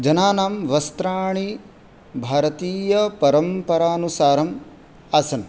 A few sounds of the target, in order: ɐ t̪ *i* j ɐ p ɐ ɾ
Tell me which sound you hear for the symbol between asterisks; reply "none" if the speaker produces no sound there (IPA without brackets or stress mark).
iː